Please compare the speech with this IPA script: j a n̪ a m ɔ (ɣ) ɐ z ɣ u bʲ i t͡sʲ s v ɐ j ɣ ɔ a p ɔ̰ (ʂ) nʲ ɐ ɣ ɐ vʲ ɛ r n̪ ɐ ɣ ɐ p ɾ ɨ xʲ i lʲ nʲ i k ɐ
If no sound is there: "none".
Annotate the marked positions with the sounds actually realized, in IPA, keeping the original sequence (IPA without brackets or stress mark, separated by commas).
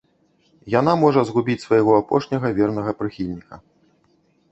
ʐ, ʂ